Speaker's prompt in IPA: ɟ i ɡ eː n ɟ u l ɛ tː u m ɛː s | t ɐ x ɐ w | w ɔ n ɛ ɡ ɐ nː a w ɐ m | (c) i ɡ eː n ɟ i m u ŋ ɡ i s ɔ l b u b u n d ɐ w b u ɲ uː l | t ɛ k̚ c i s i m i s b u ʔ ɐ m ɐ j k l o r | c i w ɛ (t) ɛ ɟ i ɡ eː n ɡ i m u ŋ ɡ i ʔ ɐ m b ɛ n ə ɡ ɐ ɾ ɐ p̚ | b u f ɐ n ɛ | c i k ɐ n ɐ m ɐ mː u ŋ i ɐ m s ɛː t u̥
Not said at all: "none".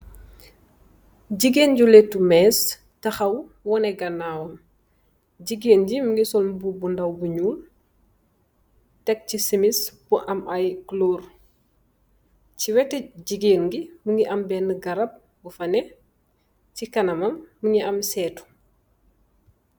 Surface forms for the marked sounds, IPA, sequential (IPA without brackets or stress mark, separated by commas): ɟ, t